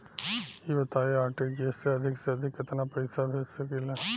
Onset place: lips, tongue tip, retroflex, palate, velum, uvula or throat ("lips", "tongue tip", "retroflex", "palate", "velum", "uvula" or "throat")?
lips